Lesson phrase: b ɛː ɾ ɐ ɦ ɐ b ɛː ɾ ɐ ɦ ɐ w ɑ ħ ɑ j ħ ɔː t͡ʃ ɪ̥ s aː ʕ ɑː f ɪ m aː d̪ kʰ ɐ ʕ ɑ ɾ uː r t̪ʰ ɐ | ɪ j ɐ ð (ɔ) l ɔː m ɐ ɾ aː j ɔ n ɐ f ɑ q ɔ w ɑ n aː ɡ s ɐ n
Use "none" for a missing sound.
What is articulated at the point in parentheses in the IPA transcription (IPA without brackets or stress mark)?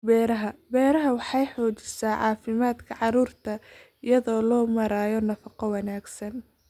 ɔː